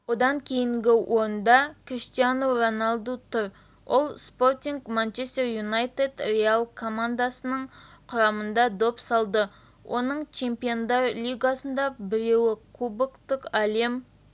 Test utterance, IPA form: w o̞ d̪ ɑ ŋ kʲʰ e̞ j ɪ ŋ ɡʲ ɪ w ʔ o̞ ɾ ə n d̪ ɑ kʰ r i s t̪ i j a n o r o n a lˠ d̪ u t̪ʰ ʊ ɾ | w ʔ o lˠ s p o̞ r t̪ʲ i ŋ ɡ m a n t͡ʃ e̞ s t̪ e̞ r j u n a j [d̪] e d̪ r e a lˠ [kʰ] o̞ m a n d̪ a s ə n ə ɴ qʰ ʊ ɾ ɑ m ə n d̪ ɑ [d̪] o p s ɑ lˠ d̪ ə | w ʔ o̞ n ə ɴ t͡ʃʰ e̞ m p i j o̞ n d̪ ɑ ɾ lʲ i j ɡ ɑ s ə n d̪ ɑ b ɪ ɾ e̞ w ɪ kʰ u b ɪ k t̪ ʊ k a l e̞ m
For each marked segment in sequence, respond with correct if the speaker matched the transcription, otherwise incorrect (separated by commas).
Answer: incorrect, correct, correct